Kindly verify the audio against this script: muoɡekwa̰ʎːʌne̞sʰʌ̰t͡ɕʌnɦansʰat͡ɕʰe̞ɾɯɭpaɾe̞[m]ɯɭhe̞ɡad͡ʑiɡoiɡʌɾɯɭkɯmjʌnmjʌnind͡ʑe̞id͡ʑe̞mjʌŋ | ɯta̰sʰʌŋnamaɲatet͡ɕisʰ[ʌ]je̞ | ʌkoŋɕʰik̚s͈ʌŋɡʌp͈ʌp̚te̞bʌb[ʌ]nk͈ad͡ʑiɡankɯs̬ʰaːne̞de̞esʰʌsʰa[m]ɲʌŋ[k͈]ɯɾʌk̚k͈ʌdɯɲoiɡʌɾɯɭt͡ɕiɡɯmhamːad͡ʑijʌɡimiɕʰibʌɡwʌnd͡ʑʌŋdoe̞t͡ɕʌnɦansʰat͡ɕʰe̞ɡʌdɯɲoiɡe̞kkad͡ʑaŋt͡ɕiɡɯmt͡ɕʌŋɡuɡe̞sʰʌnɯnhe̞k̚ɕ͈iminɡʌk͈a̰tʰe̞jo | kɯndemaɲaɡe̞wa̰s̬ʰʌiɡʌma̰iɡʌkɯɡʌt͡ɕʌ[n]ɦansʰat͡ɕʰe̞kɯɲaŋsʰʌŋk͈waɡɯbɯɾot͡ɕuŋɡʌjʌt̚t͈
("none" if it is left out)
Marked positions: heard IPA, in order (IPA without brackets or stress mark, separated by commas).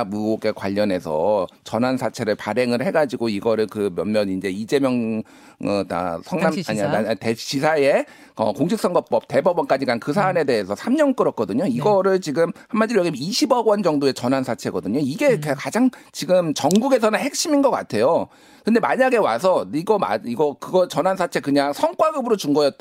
ŋ, a, ʌ, m, k͈, n